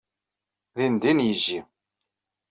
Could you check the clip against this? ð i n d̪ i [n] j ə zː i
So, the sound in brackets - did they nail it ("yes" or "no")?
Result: yes